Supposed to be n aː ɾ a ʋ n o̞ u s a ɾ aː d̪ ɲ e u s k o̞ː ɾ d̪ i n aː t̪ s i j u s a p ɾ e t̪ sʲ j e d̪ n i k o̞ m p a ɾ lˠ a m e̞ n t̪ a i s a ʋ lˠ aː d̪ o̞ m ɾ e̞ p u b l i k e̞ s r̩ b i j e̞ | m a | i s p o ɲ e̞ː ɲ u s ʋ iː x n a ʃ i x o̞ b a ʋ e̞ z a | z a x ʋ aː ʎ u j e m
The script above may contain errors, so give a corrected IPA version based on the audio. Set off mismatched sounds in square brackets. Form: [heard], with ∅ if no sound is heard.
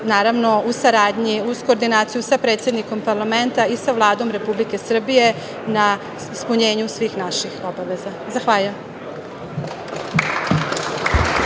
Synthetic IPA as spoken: n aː ɾ a ʋ n o̞ u s a ɾ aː d̪ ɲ [i] u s k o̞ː ɾ d̪ i n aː t̪ s i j u s a p ɾ e t̪ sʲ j e d̪ n i k o̞ m p a ɾ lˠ a m e̞ n t̪ a i s a ʋ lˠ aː d̪ o̞ m ɾ e̞ p u b l i k e̞ s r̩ b i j e̞ | [n] a | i s p [u] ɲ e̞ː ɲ u s ʋ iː x n a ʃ i x o̞ b a ʋ e̞ z a | z a x ʋ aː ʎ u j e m